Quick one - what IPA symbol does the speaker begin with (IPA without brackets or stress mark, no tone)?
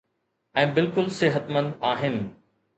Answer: ɛ̃ː